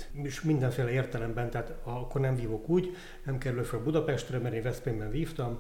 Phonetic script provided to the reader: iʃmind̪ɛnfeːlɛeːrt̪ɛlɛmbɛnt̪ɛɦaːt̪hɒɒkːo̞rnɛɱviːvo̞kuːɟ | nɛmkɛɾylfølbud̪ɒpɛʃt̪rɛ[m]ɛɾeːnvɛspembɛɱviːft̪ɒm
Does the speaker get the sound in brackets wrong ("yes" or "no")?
no